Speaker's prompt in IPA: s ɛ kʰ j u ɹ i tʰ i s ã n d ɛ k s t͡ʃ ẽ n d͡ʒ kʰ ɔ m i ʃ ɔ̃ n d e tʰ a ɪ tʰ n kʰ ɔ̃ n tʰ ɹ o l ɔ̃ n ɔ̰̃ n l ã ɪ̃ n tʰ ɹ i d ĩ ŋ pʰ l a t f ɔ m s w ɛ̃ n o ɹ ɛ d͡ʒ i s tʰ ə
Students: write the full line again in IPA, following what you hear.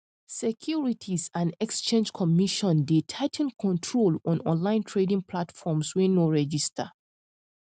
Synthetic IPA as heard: s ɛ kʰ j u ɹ i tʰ i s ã n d ɛ k s t͡ʃ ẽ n d͡ʒ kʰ ɔ m i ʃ ɔ̃ n d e tʰ a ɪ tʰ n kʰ ɔ̃ n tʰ ɹ o l ɔ̃ n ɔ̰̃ n l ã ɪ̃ n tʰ ɹ e d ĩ ŋ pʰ l a t f ɔ m s w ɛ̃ n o ɹ ɛ d͡ʒ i s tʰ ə